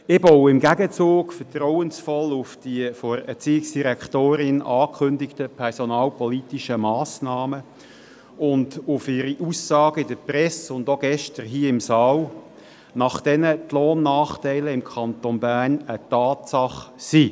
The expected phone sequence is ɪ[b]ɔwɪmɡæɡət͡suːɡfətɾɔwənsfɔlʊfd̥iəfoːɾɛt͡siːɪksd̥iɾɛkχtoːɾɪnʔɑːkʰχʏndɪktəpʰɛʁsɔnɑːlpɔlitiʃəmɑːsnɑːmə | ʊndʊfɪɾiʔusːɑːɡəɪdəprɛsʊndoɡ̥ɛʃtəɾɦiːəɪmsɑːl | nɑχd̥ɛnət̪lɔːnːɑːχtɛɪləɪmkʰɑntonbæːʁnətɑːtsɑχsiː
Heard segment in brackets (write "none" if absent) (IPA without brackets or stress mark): b